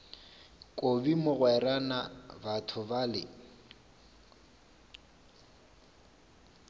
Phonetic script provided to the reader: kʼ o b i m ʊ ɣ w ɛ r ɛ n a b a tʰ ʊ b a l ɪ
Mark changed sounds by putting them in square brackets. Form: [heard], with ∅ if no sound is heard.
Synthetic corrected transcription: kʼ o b i m ʊ ɣ w ɛ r [a] n a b a tʰ ʊ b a l ɪ